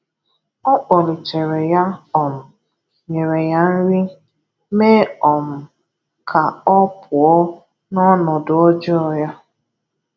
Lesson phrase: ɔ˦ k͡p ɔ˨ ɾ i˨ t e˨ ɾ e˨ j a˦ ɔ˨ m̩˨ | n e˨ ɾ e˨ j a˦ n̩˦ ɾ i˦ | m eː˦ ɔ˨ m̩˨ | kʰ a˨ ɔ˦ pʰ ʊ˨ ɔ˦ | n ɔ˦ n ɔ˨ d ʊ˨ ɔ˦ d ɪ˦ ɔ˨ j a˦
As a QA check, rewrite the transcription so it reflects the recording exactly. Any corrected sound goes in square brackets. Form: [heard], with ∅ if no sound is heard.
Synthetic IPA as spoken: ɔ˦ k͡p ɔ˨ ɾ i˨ [t͡ʃ] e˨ ɾ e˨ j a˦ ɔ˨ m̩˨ | [ɲ] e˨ ɾ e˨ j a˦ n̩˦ ɾ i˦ | m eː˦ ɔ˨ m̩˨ | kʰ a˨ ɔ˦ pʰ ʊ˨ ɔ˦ | n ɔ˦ n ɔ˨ d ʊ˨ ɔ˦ [d͡ʒ] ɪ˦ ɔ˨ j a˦